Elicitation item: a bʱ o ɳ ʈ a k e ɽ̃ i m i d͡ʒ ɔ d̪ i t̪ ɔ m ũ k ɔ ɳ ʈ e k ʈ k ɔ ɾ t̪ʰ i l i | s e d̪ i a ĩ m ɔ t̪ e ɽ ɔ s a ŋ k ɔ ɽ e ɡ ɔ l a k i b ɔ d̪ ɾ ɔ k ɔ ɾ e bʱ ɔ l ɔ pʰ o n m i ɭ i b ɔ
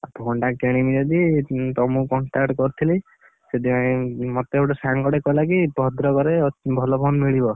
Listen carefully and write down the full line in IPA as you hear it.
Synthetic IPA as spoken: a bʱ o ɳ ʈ a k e ɽ̃ i m i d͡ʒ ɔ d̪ i t̪ ɔ m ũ k ɔ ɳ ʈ a k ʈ k ɔ ɾ t̪ʰ i l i | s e d̪ i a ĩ m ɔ t̪ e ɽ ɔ s a ŋ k ɔ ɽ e k ɔ l a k i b ɔ d̪ ɾ ɔ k ɔ ɾ e bʱ ɔ l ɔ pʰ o n m i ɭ i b ɔ

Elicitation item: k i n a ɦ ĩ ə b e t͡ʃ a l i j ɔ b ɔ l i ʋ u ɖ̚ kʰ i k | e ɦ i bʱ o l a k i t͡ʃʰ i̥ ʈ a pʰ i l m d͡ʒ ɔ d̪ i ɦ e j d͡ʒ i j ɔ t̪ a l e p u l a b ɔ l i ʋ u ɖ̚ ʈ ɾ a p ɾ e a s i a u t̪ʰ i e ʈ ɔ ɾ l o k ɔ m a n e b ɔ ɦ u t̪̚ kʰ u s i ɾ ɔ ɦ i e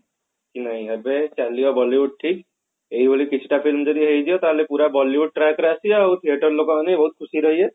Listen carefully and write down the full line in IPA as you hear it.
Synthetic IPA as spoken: k i n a ɦ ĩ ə b e t͡ʃ a l i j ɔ b ɔ l i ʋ u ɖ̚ ʈʰ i k | e ɦ i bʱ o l i k i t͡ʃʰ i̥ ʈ a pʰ i l m d͡ʒ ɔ d̪ i ɦ e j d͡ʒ i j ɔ t̪ a l e p u ɾ a b ɔ l i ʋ u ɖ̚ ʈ ɾ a k ɾ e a s i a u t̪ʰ i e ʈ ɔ ɾ l o k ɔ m a n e b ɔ ɦ u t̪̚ kʰ u s i ɾ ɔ ɦ i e

